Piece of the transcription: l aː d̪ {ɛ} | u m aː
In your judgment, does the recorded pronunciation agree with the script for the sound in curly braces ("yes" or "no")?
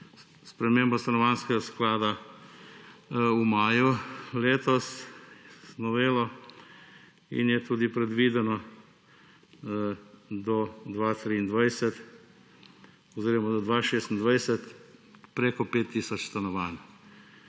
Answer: no